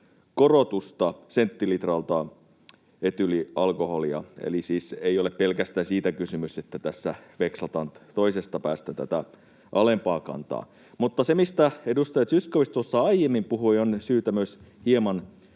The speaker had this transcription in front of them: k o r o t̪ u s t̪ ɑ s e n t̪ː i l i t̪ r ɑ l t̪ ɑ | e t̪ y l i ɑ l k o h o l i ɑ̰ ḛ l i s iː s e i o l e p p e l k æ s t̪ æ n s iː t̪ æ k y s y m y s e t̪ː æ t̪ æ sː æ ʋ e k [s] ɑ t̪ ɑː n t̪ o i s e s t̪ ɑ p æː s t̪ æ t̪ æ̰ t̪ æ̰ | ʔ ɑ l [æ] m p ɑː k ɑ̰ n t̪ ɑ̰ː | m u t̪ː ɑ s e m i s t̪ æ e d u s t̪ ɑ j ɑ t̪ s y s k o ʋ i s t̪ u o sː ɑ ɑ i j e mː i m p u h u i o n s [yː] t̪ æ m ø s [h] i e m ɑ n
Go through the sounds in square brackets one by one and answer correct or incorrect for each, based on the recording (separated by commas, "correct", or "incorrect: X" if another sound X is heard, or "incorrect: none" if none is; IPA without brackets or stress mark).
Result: correct, incorrect: e, correct, correct